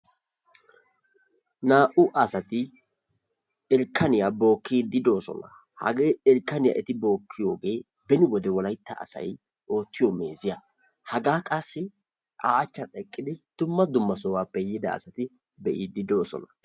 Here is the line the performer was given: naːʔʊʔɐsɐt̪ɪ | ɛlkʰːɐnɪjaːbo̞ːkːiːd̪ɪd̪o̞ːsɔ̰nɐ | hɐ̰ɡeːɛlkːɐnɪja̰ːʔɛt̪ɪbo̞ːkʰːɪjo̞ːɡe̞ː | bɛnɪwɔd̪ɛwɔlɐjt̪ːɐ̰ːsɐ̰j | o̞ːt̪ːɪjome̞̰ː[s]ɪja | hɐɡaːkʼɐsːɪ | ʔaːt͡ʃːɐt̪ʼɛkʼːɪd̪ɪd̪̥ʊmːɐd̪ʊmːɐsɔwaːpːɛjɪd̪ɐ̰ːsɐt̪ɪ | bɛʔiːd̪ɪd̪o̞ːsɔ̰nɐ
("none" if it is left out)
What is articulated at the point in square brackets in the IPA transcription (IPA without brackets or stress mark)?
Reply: z